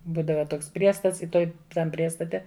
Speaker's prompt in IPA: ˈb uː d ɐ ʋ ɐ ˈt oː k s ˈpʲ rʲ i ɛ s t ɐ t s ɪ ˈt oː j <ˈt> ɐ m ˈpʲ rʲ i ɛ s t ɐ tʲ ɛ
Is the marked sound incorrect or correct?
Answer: correct